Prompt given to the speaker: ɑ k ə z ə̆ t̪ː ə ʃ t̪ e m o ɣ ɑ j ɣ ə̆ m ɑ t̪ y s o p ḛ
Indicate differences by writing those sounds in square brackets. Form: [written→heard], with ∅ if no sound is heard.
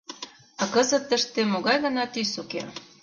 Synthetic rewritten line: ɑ k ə z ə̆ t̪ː ə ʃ t̪ e m o ɣ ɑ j ɣ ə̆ [m→n] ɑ t̪ y s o [p→k] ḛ